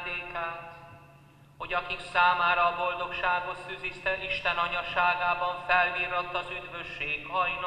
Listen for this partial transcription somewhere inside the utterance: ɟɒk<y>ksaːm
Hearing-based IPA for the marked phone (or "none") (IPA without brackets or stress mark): i